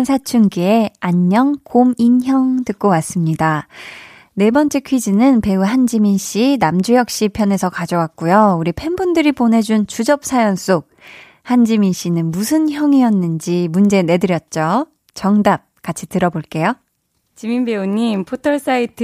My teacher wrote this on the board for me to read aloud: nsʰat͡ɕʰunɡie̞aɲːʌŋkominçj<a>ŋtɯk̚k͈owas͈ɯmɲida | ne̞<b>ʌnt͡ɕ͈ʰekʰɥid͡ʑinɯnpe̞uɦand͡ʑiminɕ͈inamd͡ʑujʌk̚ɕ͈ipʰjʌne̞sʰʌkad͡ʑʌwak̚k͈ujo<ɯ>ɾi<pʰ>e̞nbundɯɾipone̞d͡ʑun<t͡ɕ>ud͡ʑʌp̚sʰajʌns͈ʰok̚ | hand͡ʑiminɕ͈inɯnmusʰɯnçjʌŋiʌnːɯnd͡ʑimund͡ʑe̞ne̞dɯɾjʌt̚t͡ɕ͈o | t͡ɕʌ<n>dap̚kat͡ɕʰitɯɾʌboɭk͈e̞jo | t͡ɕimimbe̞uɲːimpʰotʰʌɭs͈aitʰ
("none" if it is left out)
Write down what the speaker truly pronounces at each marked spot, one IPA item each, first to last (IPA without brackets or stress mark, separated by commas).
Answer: ʌ, b, u, pʰ, t͡ɕ, ŋ